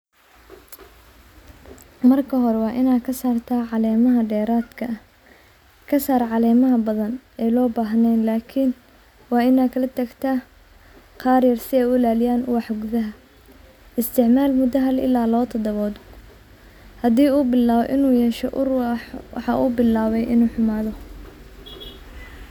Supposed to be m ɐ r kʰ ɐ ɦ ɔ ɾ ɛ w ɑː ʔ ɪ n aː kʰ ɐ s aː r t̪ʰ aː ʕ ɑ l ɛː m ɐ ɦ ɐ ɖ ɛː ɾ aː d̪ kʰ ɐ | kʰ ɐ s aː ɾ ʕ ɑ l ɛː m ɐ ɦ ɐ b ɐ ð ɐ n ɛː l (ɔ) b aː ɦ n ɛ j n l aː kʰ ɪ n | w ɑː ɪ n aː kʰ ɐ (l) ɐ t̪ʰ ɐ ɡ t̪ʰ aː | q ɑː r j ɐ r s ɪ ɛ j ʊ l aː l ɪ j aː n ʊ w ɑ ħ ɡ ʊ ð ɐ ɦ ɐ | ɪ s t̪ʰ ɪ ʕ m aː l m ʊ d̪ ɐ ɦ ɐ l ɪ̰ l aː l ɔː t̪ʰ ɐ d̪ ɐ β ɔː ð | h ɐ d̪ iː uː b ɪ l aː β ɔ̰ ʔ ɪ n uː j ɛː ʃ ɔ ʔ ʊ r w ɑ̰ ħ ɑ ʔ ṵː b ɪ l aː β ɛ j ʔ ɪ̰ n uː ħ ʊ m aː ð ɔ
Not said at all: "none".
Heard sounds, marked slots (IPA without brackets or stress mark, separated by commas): ɔː, l